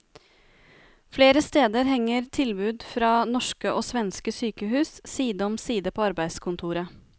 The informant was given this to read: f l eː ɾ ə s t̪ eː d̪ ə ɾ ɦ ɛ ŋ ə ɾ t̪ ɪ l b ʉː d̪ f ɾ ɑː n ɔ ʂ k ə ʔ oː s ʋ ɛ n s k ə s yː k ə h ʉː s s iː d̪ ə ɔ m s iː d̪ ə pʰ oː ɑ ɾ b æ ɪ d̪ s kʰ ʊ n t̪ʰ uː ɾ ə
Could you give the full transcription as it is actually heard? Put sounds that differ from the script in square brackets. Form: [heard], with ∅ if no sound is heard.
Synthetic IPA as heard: f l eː ɾ ə s t̪ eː d̪ ə ɾ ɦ ɛ ŋ ə ɾ [t̪ʰ] ɪ l b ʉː d̪ f ɾ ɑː n ɔ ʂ k ə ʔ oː s ʋ ɛ n s k ə s yː k ə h ʉː s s iː d̪ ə ɔ m s iː d̪ ə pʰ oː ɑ ɾ b æ ɪ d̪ s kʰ ʊ n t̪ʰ uː ɾ ə